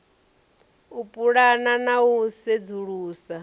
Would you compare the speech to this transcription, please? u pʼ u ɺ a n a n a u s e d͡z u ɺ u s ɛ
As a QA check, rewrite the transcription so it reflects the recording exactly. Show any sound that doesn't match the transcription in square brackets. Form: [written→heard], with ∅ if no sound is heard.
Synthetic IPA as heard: u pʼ u ɺ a n a n a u s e d͡z u ɺ [u→uː] s [ɛ→a]